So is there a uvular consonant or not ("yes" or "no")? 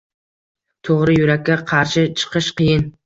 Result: yes